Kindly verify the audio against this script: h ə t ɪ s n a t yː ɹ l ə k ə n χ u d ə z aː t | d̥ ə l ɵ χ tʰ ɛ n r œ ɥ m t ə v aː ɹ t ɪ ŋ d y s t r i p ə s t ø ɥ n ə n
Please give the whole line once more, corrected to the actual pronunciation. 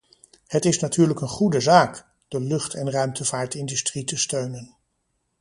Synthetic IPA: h ə t ɪ s n a t yː ɹ l ə k ə n χ u d ə z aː k | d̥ ə l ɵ χ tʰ ɛ n r œ ɥ m t ə v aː ɹ t ɪ n d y s t r i t ə s t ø ɥ n ə n